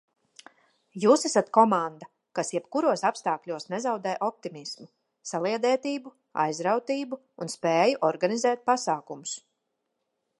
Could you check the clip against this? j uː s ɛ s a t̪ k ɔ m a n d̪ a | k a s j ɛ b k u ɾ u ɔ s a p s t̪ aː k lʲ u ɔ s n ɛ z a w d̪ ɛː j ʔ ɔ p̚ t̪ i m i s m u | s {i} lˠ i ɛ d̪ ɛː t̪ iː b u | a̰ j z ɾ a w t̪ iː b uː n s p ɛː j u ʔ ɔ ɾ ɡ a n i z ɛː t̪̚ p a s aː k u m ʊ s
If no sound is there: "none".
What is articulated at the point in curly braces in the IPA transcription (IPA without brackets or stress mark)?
a